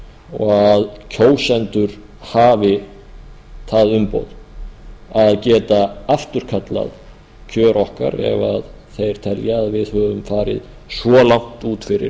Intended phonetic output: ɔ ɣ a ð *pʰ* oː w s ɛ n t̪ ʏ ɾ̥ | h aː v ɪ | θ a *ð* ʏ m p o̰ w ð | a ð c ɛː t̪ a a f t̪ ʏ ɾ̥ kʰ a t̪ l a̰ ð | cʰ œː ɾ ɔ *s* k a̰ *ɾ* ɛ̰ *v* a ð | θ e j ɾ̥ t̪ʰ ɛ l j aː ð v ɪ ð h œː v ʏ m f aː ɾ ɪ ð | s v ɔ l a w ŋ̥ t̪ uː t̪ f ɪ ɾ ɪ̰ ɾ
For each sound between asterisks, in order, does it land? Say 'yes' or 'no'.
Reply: no, yes, no, yes, yes

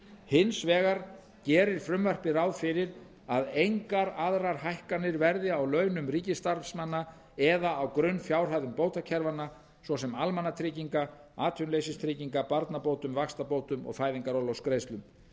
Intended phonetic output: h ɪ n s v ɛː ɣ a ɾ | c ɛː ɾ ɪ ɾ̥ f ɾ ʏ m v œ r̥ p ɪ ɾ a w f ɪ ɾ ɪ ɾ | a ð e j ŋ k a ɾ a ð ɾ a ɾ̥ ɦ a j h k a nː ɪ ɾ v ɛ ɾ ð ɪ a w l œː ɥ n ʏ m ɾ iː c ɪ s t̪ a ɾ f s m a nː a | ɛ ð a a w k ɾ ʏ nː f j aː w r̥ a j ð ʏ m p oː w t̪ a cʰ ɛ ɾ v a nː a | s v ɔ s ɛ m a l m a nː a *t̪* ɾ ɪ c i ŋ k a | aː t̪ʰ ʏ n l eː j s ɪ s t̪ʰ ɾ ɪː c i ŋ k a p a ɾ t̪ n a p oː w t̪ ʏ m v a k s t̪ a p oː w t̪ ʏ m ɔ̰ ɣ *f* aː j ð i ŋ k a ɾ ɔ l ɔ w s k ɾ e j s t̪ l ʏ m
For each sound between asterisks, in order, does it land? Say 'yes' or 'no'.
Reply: no, yes

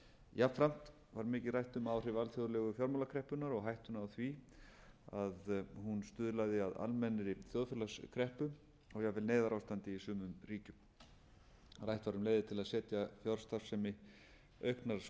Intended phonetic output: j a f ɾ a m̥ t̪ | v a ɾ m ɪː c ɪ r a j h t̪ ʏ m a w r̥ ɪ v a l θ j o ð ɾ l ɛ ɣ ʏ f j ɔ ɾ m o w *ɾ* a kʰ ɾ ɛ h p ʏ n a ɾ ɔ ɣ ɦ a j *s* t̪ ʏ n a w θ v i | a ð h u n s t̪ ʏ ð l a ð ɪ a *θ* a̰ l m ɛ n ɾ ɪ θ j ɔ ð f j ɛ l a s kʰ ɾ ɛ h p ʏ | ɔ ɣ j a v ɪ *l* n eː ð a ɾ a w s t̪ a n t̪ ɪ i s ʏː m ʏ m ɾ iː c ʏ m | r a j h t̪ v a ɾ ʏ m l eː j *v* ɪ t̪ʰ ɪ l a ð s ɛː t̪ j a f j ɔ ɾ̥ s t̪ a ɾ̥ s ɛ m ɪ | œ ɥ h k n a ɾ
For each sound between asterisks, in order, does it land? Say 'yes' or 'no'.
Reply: no, no, no, yes, no

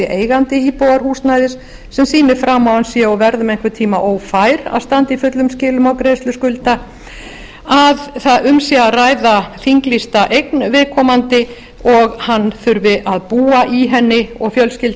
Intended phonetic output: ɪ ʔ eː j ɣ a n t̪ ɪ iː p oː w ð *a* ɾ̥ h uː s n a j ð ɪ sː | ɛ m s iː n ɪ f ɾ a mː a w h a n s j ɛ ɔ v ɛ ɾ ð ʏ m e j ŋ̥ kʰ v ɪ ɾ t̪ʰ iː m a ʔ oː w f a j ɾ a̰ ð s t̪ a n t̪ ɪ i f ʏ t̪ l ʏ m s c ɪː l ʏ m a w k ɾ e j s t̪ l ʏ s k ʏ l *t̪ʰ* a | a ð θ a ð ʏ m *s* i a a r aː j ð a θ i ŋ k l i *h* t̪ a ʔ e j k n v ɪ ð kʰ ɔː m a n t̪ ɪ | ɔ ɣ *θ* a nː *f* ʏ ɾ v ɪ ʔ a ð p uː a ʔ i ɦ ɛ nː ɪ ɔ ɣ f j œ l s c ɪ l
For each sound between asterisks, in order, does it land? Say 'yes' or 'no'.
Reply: yes, no, yes, no, no, no

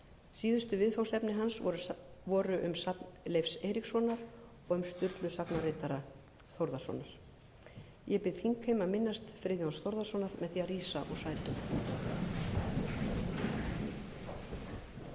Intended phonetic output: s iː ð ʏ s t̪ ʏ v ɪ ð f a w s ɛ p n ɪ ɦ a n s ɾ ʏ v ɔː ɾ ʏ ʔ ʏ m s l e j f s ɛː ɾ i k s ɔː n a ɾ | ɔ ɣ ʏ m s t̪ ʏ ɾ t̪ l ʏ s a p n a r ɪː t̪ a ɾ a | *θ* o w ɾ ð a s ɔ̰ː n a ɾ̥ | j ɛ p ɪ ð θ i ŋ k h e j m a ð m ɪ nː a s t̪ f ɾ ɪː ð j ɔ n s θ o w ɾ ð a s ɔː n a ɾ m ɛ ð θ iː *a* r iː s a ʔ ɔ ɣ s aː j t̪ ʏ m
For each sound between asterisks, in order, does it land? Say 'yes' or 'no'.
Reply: yes, yes

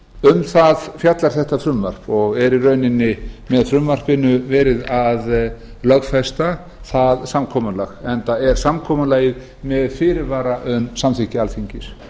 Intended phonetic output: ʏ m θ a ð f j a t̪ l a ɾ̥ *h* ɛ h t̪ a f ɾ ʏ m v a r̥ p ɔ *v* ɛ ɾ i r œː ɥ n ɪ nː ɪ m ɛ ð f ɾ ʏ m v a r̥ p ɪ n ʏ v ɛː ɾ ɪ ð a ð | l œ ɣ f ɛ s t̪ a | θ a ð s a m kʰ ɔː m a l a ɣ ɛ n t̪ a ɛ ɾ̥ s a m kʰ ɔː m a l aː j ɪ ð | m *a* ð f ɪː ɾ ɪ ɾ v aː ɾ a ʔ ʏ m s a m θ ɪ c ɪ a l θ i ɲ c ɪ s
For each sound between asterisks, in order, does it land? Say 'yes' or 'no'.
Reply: no, no, no

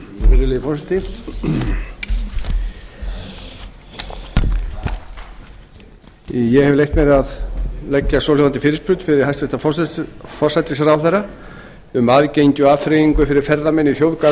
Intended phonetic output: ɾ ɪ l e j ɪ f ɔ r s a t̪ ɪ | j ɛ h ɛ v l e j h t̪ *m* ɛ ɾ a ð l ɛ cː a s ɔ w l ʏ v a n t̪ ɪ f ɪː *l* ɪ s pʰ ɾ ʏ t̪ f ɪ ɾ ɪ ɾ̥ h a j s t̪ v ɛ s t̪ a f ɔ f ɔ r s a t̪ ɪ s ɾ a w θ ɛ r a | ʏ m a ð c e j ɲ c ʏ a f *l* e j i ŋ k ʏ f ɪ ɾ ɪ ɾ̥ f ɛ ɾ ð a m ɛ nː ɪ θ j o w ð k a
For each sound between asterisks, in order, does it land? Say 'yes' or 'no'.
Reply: yes, no, no

